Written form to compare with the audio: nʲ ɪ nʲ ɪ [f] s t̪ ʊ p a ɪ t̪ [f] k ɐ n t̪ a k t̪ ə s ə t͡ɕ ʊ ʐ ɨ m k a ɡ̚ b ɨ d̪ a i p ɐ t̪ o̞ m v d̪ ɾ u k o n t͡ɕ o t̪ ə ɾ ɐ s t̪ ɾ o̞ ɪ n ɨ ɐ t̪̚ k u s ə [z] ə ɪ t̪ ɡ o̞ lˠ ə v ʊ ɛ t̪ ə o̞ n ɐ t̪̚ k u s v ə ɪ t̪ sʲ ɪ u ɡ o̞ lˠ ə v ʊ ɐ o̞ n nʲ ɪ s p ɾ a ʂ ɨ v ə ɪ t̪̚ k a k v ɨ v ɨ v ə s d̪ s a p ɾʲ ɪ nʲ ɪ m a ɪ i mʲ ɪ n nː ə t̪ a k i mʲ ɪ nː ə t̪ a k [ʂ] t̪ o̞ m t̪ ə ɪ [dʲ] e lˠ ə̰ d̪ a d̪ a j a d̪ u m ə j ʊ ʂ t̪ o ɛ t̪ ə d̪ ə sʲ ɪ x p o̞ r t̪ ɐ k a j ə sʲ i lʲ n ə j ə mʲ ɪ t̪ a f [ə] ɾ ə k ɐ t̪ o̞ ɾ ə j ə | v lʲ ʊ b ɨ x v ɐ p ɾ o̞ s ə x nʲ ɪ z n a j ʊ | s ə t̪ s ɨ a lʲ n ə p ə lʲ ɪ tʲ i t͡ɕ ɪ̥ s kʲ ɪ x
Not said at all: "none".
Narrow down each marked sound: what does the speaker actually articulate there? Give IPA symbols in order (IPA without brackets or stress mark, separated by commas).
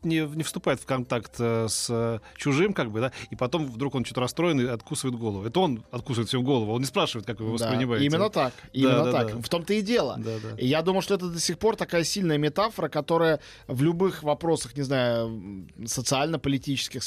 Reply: f, f, v, f, dʲ, ə